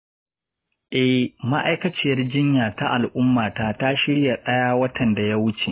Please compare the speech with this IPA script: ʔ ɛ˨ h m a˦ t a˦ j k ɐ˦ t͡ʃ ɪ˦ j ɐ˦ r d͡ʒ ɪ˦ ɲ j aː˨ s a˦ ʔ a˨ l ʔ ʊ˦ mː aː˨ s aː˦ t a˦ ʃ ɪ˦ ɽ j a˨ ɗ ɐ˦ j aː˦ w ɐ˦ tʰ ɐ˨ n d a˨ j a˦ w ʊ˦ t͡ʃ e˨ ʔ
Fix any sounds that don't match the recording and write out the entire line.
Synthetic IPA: ʔ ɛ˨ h m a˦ ʔ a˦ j k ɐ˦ t͡ʃ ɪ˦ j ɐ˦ r d͡ʒ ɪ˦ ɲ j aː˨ t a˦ ʔ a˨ l ʔ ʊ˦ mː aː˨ t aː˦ t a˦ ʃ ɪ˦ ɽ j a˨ ɗ ɐ˦ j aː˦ w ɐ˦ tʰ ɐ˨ n d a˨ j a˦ w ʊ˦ t͡ʃ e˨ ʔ